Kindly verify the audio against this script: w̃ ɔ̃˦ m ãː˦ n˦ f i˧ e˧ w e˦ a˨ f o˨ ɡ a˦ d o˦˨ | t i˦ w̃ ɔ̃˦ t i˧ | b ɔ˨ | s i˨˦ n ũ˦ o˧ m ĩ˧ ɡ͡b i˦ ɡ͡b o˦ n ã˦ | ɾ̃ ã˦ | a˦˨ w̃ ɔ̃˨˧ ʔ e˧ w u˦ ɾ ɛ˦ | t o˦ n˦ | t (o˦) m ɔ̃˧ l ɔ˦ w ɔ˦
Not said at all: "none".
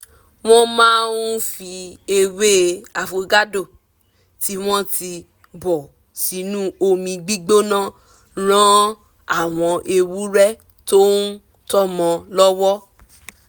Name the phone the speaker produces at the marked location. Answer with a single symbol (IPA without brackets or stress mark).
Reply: ɔ˦